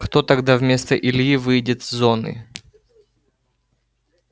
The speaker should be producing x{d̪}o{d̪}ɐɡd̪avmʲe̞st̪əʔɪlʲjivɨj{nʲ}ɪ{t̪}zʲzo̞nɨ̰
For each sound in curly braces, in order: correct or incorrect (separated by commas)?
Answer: incorrect, incorrect, incorrect, correct